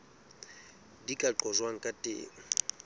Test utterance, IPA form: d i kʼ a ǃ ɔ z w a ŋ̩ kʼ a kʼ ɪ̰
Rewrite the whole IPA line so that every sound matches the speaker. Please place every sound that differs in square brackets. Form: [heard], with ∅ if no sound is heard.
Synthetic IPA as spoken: d i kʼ a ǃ ɔ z w a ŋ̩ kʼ a [tʼ] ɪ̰